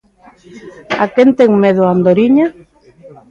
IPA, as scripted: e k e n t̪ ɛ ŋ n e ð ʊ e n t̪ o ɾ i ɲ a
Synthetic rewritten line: a k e n t̪ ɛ ŋ m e ð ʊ a n d̪ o ɾ i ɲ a

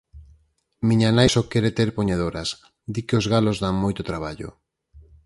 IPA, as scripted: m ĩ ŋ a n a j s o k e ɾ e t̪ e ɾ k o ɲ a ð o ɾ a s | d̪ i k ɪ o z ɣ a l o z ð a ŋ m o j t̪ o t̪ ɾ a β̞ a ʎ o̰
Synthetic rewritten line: m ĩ ɲ a n a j s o k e ɾ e t̪ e ɾ p o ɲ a ð o ɾ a s | d̪ i k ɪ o z ɣ a l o z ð a ŋ m o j t̪ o t̪ ɾ a β̞ a ʎ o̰

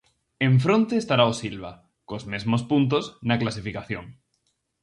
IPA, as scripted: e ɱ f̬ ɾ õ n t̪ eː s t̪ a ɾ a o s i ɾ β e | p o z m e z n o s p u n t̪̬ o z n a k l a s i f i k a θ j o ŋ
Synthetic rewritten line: e ɱ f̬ ɾ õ n t̪ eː s t̪ a ɾ a o s i l β a | k o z m e z m o s p u n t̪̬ o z n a k l a s i f i k a θ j o ŋ

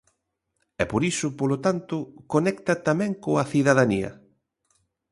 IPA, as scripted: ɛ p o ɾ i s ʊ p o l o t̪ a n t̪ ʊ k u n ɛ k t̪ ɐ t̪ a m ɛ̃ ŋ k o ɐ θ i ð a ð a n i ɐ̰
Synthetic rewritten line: ɛ p o ɾ i s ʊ p o l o t̪ a n t̪ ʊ k o n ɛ k t̪ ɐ t̪ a m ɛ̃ ŋ k o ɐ θ i ð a ð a n i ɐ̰

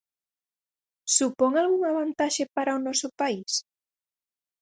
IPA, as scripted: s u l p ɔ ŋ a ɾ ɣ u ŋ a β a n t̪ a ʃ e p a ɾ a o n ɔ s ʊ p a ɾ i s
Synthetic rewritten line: s u p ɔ ŋ a l ɣ u ŋ a β a n t̪ a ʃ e p a ɾ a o n ɔ s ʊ p a i s

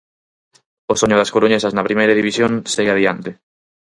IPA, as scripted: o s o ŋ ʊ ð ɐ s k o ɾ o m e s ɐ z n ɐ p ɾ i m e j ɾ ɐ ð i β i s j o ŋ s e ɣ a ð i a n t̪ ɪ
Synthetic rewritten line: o s o ɲ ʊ ð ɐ s k o ɾ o ɲ e s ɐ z n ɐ p ɾ i m e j ɾ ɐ ð i β i s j o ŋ s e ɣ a ð i a n t̪ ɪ

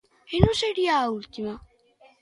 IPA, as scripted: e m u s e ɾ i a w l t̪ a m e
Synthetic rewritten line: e n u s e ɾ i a u l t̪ i m a

